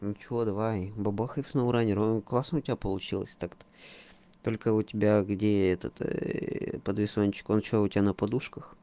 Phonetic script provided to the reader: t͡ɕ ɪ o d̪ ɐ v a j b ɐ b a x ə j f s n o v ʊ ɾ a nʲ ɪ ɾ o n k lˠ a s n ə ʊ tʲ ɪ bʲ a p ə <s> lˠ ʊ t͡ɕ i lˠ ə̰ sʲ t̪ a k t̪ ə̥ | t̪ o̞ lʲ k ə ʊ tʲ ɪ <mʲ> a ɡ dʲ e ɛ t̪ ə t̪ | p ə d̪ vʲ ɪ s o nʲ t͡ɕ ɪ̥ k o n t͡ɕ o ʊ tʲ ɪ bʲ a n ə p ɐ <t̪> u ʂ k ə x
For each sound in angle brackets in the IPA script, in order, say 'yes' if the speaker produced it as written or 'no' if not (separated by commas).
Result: no, no, no